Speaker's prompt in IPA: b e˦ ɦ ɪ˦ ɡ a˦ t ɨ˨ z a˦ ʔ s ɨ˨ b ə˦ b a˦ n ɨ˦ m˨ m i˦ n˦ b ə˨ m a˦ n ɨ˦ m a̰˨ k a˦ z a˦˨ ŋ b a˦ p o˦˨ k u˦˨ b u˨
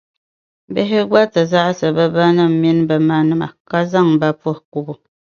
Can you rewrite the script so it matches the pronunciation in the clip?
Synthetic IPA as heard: b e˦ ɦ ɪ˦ ɡ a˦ t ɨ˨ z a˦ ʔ s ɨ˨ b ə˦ b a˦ n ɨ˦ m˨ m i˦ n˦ b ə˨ m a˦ n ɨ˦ m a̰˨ k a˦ z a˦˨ ŋ b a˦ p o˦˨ k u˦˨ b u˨